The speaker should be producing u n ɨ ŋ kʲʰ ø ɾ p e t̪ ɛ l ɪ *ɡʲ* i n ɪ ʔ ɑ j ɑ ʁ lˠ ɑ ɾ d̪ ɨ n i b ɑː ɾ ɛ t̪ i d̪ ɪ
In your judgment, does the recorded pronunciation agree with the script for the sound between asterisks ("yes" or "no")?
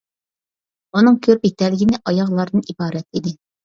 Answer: yes